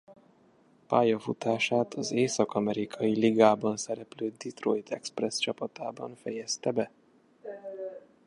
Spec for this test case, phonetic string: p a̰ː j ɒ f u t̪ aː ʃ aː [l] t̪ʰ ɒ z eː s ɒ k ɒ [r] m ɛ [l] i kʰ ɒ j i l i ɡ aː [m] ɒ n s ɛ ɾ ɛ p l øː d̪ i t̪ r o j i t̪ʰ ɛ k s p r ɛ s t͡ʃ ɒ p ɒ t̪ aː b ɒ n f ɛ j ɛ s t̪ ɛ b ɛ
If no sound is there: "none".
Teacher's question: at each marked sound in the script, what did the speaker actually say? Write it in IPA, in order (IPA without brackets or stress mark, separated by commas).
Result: none, none, ɾ, b